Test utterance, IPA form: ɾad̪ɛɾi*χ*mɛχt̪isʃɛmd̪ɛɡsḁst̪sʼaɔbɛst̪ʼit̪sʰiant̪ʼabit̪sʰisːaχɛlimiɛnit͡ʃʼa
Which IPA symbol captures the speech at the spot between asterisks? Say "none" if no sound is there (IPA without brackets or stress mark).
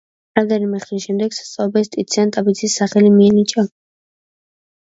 none